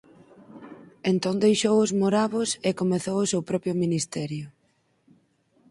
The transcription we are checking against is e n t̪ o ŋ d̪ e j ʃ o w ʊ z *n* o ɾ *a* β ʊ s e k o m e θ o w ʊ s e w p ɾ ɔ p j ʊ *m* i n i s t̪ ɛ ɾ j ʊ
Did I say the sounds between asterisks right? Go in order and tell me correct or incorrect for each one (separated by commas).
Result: incorrect, correct, correct